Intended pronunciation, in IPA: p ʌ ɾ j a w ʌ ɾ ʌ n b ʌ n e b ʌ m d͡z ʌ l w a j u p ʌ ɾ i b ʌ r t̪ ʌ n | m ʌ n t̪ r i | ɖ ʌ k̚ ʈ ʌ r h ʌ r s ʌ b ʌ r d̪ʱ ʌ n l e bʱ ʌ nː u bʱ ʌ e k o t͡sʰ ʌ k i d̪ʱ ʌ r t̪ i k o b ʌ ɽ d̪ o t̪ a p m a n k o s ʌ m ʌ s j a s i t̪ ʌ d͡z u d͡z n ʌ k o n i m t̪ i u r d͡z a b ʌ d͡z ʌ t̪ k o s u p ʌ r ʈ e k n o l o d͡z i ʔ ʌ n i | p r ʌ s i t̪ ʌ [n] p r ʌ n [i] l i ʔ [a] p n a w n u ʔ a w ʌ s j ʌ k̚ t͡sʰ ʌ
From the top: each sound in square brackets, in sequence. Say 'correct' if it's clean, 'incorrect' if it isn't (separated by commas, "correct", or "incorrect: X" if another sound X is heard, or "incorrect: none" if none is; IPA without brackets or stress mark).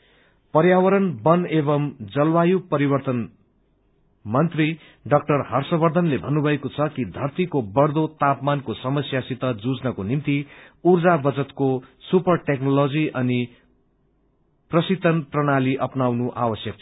correct, incorrect: a, incorrect: ʌ